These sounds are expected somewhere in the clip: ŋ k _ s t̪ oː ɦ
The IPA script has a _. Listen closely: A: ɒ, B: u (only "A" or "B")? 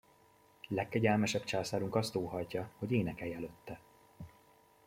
A